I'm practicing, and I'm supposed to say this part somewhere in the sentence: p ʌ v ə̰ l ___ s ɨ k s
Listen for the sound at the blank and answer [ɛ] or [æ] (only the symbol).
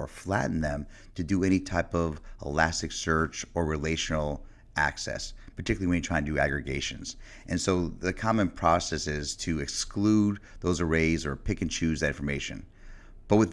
æ